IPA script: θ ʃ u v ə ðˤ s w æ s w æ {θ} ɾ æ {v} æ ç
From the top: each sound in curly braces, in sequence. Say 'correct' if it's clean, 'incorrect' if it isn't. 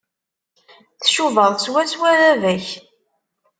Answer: incorrect: none, correct

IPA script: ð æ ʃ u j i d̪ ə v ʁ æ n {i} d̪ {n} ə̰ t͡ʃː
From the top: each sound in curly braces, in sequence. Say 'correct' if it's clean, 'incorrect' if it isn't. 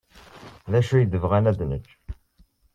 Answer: incorrect: æ, correct

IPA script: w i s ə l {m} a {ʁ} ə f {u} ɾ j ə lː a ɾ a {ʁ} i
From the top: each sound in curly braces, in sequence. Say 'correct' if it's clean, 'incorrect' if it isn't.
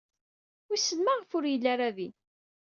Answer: correct, correct, incorrect: ʊ, incorrect: ð

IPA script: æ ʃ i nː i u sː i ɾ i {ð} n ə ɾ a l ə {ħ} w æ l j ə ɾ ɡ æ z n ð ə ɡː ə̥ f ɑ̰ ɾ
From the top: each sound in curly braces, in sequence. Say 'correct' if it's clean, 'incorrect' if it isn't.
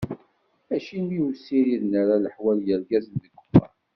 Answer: correct, correct

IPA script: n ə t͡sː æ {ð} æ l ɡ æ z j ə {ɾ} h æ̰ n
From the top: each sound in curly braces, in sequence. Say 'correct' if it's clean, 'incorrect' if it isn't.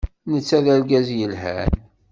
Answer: correct, incorrect: l

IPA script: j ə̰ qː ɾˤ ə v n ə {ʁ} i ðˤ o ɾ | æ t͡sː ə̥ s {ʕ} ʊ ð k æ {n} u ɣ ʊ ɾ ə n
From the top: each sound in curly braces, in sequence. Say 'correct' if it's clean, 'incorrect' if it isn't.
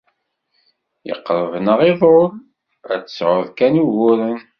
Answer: correct, correct, correct

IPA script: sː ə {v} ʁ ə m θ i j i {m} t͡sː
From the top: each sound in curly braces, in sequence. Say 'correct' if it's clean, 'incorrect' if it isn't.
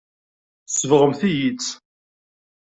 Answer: correct, incorrect: none

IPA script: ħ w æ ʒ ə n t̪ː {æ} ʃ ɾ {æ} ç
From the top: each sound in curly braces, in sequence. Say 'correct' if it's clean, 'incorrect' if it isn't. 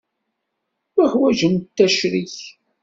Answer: correct, incorrect: i

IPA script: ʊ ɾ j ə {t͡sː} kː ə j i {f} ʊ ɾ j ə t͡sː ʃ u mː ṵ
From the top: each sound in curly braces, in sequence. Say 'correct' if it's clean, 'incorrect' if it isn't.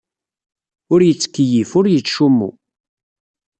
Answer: correct, correct

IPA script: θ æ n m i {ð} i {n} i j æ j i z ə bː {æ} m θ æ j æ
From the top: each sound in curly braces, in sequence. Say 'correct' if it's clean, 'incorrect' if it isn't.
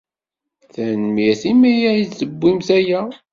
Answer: incorrect: θ, incorrect: m, incorrect: i

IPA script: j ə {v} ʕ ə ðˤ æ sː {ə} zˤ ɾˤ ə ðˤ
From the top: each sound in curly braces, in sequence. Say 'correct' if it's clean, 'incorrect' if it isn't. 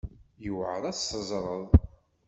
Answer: incorrect: w, correct

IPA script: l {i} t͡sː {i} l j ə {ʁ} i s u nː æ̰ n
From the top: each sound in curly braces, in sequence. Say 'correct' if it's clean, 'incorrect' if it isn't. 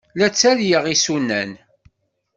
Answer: incorrect: æ, incorrect: æ, correct

